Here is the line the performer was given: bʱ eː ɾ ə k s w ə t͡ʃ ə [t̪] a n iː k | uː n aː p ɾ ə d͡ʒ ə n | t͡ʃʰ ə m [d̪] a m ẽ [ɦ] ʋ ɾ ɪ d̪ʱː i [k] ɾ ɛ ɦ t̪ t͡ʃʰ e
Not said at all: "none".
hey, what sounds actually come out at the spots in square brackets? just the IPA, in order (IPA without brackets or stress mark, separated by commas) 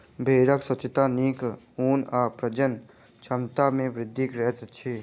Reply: t̪, t̪, none, k